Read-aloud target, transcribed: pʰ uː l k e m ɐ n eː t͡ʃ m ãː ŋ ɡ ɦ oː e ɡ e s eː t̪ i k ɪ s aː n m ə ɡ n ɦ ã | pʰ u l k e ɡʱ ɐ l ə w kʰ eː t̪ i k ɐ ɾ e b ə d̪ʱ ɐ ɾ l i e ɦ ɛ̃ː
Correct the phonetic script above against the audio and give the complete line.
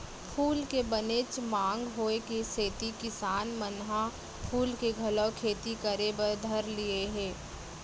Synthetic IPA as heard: pʰ uː l k e b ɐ n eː t͡ʃ m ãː ŋ ɡ ɦ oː e k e s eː t̪ i k ɪ s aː n m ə n ɦ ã | pʰ uː l k e ɡʱ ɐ l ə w kʰ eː t̪ i k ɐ ɾ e b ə d̪ʱ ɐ ɾ l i e ɦ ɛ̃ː